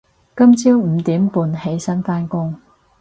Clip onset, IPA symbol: k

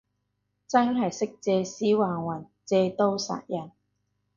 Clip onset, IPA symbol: t͡s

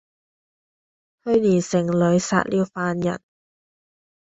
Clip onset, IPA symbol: h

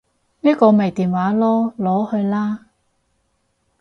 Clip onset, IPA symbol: n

